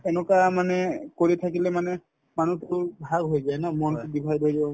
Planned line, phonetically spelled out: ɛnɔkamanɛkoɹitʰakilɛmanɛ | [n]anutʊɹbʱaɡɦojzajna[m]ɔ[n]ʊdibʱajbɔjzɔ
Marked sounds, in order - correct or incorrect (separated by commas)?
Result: incorrect, correct, correct